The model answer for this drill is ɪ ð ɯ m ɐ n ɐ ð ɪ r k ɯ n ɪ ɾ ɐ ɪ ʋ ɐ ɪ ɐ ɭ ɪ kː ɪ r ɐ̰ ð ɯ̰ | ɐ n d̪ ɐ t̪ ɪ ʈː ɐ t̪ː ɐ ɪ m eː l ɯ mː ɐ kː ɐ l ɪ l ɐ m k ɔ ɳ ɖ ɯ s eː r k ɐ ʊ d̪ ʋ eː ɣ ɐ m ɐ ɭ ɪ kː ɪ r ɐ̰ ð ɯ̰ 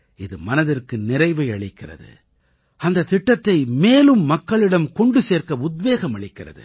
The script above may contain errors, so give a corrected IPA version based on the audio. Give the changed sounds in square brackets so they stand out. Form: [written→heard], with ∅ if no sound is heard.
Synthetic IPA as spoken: ɪ ð ɯ m ɐ n ɐ ð ɪ r k ɯ n ɪ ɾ ɐ ɪ ʋ ɐ ɪ ɐ ɭ ɪ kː ɪ r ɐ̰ ð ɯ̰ | ɐ n d̪ ɐ t̪ ɪ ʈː ɐ t̪ː ɐ ɪ m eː l ɯ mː ɐ kː ɐ [l→ɭ] ɪ [l→ɽ] ɐ m k ɔ ɳ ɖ ɯ s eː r k ɐ ʊ d̪ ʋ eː ɣ ɐ m ɐ ɭ ɪ kː ɪ r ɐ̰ ð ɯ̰